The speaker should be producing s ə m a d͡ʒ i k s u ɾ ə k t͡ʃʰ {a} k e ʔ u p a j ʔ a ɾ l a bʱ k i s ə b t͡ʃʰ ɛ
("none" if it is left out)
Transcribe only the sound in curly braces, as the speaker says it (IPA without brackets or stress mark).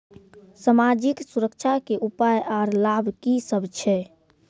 a